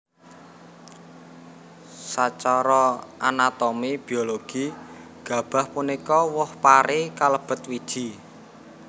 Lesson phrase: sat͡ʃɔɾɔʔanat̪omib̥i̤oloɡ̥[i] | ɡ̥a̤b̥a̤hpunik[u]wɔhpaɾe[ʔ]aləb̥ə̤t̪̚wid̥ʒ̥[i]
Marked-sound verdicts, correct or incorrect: correct, incorrect: ɔ, incorrect: k, correct

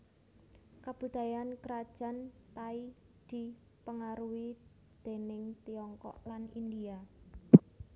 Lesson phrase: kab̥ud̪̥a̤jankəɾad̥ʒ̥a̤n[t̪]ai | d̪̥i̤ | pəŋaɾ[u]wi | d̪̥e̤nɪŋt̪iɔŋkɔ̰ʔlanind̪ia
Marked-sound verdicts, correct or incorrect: correct, correct

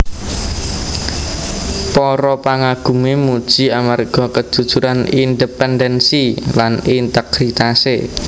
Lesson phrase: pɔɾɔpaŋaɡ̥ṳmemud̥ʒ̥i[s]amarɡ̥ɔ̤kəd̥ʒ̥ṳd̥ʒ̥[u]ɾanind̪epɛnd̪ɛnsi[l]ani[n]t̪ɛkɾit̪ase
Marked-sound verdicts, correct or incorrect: incorrect: none, correct, correct, correct

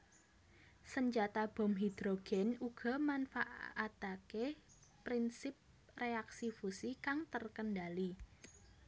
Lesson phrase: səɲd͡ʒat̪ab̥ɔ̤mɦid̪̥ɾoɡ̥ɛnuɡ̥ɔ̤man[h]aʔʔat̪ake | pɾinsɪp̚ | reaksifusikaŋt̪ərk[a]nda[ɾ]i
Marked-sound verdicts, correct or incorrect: incorrect: f, incorrect: ə, incorrect: l

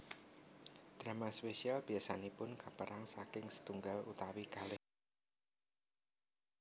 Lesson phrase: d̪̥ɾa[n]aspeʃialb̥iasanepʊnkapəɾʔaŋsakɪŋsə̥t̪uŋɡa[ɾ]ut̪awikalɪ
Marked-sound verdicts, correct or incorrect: incorrect: m, incorrect: l

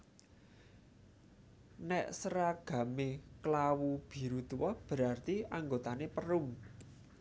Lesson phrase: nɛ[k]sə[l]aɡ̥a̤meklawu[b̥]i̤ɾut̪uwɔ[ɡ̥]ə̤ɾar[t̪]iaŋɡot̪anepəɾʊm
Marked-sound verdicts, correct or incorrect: incorrect: ʔ, incorrect: ɾ, correct, incorrect: b̥, correct

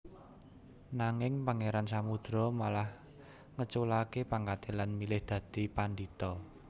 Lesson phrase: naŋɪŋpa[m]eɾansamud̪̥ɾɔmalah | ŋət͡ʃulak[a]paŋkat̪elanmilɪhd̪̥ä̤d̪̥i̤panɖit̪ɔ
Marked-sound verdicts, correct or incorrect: incorrect: ŋ, incorrect: e

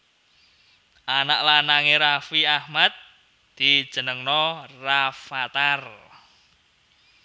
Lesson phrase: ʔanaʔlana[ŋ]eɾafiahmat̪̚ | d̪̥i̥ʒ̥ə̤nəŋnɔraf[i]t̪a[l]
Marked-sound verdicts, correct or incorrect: correct, incorrect: a, incorrect: r

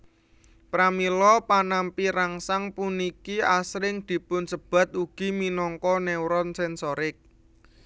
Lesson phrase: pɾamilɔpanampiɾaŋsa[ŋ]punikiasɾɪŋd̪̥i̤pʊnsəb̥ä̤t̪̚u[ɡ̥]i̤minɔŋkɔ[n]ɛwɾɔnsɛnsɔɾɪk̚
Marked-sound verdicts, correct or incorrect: correct, correct, correct

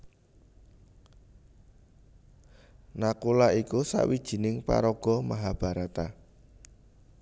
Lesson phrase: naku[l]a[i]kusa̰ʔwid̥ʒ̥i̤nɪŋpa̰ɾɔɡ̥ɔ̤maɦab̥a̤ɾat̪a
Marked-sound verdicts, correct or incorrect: correct, correct

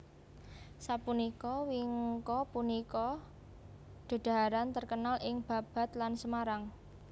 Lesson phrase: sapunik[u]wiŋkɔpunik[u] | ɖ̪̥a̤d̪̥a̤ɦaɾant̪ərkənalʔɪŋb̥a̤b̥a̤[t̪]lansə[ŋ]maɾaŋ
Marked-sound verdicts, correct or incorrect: incorrect: ɔ, incorrect: ɔ, correct, incorrect: none

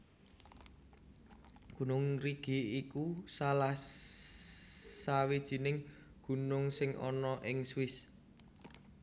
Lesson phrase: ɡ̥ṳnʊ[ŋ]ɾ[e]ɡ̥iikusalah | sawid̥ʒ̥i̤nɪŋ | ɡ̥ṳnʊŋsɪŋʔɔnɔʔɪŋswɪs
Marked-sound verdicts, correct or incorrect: correct, incorrect: i

